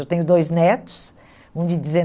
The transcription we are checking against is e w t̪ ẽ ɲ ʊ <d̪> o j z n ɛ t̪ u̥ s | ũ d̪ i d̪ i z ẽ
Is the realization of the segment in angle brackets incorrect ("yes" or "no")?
no